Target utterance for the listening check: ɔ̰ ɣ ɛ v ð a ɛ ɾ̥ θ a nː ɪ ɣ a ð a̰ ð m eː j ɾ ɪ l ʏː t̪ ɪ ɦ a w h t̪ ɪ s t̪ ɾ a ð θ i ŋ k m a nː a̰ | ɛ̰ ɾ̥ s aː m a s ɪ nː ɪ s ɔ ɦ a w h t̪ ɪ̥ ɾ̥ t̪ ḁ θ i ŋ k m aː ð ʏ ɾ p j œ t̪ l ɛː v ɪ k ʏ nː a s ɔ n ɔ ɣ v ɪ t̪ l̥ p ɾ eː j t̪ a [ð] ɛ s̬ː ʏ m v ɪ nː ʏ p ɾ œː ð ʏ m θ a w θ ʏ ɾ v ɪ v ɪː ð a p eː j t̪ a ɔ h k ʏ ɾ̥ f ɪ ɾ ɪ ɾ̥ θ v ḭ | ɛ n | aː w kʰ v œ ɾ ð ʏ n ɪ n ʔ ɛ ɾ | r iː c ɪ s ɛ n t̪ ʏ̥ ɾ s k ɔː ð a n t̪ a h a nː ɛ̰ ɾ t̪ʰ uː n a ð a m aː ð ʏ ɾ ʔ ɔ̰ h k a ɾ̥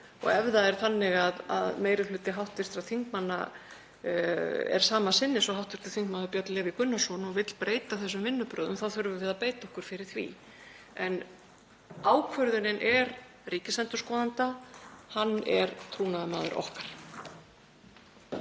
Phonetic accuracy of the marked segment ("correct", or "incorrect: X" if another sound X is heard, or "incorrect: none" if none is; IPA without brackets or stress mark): incorrect: θ